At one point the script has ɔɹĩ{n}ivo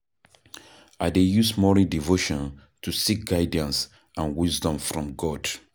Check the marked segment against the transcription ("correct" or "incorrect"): incorrect